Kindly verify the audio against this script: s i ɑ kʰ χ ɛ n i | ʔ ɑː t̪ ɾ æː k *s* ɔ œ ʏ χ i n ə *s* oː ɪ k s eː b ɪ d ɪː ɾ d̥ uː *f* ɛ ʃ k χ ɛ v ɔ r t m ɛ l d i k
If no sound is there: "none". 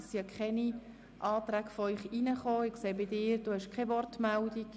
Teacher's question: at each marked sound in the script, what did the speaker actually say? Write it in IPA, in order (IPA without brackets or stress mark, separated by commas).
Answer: f, χ, h